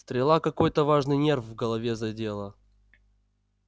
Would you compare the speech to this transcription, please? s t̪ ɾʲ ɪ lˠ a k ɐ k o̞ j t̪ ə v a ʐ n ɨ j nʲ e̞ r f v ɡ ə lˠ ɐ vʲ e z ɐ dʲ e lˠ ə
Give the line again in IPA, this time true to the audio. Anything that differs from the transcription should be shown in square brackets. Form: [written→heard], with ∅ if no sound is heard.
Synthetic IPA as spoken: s t̪ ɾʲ ɪ lˠ a k ɐ k o̞ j t̪ ə v a ʐ n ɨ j nʲ e̞ r f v ɡ ə lˠ ɐ vʲ e z ɐ dʲ e lˠ ə